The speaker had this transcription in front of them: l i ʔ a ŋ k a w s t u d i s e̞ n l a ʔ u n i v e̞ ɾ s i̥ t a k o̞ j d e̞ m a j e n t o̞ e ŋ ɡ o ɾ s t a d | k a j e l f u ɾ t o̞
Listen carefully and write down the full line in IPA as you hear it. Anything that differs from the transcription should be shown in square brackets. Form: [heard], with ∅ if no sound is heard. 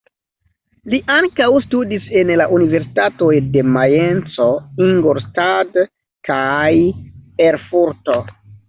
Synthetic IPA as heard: l i ʔ a ŋ k a w s t u d i s e̞ n l a ʔ u n i v e̞ ɾ s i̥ t a [t] o̞ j d e̞ m a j e n [t͡s] o̞ [i] ŋ ɡ o ɾ s t a d | k a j e [ɾ] f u ɾ t o̞